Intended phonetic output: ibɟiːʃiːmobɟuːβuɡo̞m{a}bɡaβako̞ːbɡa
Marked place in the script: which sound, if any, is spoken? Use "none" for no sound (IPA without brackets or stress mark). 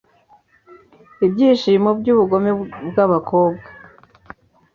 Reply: e